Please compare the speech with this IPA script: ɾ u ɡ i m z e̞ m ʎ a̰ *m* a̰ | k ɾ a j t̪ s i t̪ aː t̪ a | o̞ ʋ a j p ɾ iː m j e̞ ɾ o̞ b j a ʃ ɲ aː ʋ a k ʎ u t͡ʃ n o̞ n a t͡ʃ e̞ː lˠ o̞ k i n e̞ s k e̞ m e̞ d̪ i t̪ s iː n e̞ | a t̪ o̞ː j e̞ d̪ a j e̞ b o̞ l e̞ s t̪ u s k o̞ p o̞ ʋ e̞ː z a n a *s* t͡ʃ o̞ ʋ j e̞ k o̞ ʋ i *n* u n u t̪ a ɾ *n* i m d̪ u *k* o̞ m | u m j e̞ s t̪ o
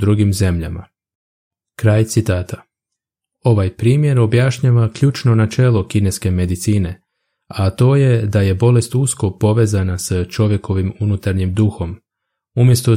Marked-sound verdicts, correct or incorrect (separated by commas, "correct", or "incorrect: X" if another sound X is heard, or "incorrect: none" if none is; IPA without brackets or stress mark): correct, correct, incorrect: m, incorrect: ɲ, incorrect: x